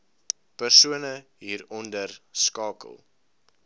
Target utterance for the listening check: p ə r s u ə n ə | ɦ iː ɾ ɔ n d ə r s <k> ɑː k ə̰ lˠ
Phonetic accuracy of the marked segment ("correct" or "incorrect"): correct